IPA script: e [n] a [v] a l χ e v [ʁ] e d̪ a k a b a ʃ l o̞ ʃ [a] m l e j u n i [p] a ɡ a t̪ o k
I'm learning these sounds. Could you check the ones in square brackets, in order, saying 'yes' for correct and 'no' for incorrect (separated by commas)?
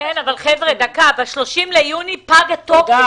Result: yes, yes, yes, no, yes